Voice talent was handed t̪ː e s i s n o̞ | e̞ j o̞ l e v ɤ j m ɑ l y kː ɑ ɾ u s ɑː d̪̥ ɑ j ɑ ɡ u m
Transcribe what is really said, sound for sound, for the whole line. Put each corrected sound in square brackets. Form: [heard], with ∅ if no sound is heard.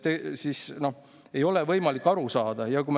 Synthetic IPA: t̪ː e s i s n o̞ | e̞ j o̞ l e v ɤ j m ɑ l [i] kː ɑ ɾ u s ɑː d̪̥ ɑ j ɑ [k] u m